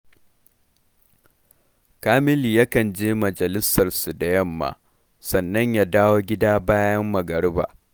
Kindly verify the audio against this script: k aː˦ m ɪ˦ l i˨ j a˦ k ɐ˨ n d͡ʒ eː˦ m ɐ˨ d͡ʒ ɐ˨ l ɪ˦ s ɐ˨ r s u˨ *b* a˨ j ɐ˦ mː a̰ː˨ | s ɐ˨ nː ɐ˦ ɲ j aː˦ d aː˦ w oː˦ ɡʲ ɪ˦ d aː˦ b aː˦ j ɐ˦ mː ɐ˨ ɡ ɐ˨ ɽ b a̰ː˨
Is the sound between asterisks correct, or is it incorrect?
incorrect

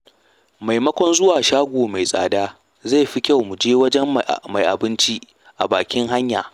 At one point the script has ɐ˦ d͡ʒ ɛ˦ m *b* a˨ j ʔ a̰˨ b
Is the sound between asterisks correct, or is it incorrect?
incorrect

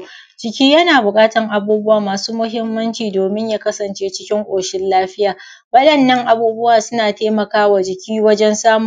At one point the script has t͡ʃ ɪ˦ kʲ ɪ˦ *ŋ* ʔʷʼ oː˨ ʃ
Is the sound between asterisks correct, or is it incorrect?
correct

